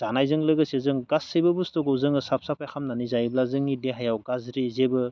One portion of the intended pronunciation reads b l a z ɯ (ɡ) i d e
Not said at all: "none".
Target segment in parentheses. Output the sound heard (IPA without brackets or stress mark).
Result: ŋ